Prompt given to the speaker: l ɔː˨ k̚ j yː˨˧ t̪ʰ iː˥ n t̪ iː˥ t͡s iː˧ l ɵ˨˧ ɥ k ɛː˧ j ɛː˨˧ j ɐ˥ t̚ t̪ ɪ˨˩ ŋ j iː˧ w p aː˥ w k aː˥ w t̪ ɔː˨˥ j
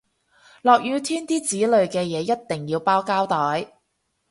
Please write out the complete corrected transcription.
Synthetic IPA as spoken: l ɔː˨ k̚ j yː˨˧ t̪ʰ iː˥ n t̪ iː˥ t͡s iː˨˥ l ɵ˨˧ ɥ k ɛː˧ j ɛː˨˧ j ɐ˥ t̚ t̪ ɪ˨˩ ŋ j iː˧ w p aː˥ w k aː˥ w t̪ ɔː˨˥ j